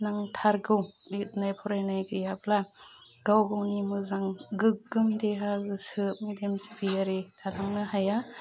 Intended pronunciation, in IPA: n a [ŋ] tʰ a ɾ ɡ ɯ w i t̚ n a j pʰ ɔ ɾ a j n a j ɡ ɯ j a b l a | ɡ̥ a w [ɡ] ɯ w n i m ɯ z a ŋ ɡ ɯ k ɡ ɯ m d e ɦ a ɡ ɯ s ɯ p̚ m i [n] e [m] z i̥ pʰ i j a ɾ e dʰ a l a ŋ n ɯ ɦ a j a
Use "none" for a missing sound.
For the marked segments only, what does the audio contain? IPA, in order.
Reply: ŋ, ɡ, d, m

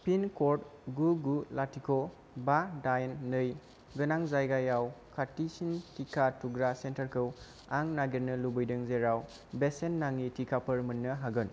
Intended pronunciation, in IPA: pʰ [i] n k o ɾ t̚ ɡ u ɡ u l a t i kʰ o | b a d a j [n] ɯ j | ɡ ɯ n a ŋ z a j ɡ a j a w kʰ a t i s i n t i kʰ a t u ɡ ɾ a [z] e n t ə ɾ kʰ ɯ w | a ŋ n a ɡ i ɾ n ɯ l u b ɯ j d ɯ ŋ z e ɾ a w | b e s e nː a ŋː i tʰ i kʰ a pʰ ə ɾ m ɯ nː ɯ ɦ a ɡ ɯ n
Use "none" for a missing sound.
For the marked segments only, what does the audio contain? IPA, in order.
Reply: i, nː, s

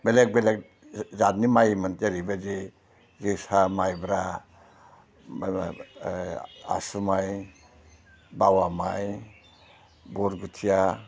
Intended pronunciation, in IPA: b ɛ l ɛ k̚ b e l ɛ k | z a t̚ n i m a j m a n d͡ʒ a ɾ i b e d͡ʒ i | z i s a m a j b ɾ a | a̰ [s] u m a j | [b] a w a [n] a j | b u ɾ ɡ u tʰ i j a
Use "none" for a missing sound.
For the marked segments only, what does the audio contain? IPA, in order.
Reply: s, b, m

